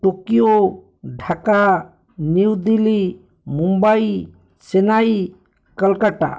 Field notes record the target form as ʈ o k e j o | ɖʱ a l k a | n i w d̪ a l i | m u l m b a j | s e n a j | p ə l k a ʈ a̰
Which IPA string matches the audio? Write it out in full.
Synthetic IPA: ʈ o k i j o | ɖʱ a k a | n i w d̪ i l i | m u m b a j | s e n a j | k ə l k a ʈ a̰